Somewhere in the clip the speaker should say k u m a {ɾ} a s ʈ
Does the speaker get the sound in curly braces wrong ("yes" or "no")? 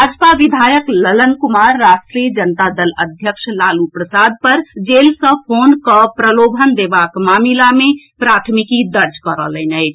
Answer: yes